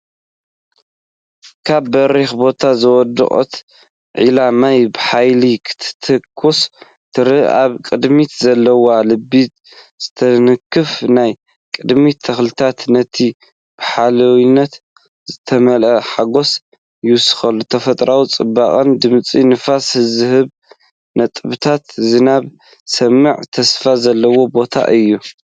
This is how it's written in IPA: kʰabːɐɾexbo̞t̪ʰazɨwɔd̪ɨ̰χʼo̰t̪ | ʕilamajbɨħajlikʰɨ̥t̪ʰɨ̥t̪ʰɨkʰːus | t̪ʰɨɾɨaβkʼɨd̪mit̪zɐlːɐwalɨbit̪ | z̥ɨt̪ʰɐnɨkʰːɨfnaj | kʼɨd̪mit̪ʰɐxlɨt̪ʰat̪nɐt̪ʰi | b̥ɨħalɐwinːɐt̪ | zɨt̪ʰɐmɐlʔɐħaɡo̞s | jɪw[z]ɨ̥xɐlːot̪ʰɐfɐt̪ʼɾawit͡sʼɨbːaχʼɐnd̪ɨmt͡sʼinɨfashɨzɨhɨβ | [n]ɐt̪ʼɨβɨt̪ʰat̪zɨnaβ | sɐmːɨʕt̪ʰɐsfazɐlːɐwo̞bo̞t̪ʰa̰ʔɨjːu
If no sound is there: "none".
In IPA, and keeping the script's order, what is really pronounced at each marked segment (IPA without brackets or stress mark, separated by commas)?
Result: s, n